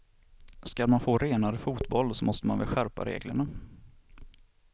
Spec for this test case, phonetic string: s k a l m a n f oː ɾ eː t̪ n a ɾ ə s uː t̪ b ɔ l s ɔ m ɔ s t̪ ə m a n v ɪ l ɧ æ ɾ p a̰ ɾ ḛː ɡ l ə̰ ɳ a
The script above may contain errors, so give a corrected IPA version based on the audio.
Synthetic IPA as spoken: s k a l m a n f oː ɾ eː n a ɾ ə f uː t̪ b ɔ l s ɔ m ɔ s t̪ ə m a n v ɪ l ɧ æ ɾ p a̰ ɾ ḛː ɡ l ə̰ ɳ a